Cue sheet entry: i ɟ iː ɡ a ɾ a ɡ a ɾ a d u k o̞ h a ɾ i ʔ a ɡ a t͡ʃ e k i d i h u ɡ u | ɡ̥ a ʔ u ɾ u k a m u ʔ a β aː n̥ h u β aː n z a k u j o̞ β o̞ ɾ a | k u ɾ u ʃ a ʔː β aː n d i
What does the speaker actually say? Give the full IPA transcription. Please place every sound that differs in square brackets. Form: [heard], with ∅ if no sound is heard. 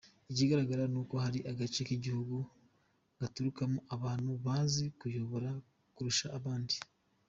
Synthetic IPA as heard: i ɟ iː ɡ a ɾ a ɡ a ɾ a [n] u k o̞ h a ɾ i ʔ a ɡ a t͡ʃ e k i [ɟ] i h u ɡ u | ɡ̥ a [t] u ɾ u k a m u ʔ a β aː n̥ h u β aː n z [i] k u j o̞ β o̞ ɾ a | k u ɾ u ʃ a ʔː β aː n d i